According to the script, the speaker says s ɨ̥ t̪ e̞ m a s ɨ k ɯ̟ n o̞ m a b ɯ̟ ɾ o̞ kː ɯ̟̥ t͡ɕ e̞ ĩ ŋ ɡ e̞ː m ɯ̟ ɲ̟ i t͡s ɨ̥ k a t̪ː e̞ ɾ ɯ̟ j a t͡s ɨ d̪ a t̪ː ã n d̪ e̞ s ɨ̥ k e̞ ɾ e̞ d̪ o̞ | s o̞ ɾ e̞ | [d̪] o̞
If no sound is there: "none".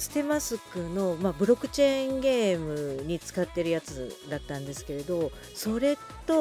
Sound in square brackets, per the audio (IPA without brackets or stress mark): t̪